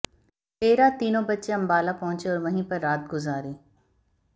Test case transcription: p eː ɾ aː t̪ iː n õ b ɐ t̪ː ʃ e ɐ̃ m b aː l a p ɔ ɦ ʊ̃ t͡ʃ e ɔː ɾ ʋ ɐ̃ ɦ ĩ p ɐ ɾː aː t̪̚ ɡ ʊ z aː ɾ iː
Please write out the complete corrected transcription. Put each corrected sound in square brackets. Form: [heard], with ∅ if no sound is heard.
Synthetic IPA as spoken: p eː ɾ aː t̪ iː n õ b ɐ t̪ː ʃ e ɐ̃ m b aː l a p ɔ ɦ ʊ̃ t͡ʃ e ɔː ɾ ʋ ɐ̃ ɦ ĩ p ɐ ɾː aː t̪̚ ɡ ʊ z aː ɾ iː